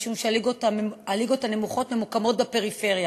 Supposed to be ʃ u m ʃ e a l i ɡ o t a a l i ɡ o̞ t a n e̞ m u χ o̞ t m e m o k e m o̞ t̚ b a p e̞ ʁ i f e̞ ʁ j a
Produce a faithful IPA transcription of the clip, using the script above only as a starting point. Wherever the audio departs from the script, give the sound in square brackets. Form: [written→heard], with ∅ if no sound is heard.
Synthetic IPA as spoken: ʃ u m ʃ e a l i ɡ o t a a l i ɡ o̞ t a n e̞ m u χ o̞ t m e m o k [e→a] m o̞ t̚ b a p e̞ ʁ i f e̞ ʁ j a